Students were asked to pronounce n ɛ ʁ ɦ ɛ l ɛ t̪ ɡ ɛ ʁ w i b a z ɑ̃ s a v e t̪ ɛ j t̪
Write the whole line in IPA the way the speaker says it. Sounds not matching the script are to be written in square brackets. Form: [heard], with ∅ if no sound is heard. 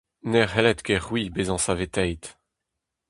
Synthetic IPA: n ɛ ʁ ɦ ɛ l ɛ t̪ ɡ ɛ ʁ w i b [e] z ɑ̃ s a v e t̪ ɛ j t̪